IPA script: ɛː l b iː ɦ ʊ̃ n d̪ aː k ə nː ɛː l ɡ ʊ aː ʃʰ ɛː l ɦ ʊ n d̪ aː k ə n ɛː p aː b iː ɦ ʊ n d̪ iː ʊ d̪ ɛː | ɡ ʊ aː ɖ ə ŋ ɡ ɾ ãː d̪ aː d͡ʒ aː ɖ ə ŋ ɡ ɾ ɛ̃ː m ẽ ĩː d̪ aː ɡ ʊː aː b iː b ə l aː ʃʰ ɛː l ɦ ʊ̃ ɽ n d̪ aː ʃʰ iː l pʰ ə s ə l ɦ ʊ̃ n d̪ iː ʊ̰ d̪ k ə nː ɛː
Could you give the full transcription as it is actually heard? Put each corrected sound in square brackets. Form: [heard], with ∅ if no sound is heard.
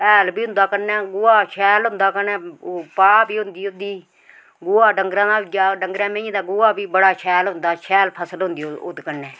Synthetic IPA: ɛː l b iː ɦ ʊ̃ n d̪ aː k ə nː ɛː [∅] ɡ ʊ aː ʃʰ ɛː l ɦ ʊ n d̪ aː k ə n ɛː p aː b iː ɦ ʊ n d̪ iː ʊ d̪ [iː] | ɡ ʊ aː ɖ ə ŋ ɡ ɾ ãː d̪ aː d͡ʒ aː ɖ ə ŋ ɡ ɾ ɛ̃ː m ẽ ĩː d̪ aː ɡ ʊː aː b iː b ə [ɽ] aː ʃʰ ɛː l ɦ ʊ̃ [∅] n d̪ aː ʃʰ [ɛː] l pʰ ə s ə l ɦ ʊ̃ n d̪ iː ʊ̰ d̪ k ə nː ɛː